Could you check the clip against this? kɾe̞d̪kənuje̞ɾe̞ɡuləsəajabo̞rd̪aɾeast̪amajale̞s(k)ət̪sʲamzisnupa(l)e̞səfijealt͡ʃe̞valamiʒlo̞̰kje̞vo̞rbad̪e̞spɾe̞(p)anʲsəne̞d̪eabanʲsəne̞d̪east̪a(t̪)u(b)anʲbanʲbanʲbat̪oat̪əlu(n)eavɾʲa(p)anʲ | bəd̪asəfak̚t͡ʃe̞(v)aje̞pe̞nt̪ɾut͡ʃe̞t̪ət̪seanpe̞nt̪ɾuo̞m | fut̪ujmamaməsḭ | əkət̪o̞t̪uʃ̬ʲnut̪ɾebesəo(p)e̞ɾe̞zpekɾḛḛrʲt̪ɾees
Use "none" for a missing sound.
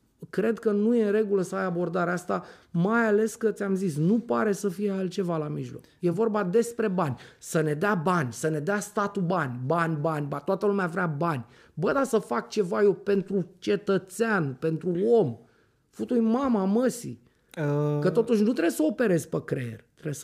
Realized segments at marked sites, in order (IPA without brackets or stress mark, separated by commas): k, ɾ, b, t̪, b, m, b, v, p